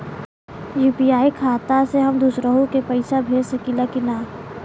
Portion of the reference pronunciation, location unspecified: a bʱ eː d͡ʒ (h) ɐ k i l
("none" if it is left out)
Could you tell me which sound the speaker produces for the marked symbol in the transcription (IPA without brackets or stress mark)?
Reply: s